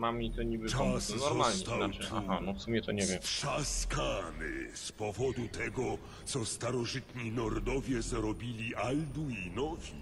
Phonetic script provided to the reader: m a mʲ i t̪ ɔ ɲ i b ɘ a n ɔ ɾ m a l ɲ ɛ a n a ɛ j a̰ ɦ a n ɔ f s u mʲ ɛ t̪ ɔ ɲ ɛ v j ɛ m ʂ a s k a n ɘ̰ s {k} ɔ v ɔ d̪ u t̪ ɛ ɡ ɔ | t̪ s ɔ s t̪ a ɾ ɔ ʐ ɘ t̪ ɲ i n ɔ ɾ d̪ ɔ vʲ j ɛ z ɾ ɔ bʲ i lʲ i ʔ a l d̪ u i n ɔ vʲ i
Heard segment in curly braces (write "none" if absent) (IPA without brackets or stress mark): p